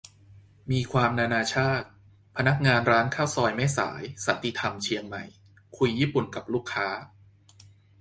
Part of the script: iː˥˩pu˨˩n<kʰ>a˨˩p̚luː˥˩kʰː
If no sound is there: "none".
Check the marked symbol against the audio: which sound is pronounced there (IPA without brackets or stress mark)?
k